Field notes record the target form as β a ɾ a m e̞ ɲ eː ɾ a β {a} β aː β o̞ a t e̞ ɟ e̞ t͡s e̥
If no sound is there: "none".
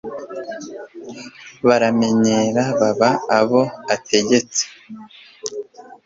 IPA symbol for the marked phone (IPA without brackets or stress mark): a